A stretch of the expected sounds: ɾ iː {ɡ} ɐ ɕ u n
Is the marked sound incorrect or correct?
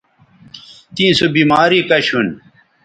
incorrect